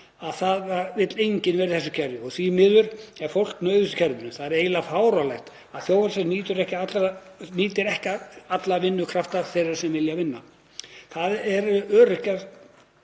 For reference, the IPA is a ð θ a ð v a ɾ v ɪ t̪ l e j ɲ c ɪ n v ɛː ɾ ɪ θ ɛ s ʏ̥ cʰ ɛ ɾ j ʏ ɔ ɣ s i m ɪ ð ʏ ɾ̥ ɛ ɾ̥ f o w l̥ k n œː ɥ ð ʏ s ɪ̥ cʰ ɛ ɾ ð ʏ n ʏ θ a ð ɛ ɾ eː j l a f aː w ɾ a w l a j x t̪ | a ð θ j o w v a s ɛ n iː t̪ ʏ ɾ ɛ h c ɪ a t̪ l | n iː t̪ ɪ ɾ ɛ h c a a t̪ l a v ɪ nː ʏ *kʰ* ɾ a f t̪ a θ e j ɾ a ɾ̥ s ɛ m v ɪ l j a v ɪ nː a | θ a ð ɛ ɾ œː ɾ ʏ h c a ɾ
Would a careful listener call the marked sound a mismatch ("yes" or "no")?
no